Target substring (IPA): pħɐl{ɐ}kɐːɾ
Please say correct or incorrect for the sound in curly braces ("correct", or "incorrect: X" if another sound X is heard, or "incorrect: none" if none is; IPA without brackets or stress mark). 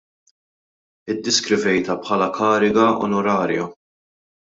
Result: correct